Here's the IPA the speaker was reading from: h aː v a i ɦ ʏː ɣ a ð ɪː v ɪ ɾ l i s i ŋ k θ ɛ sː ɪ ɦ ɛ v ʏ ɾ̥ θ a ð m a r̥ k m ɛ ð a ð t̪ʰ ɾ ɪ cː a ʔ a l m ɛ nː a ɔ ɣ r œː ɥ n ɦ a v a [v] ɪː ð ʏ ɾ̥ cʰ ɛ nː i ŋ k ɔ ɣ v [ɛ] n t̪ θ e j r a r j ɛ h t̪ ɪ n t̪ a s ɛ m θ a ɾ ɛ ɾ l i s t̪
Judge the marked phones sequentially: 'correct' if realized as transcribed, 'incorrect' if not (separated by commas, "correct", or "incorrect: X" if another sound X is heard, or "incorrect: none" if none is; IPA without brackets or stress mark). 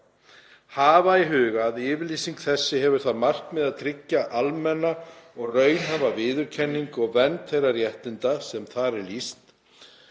correct, correct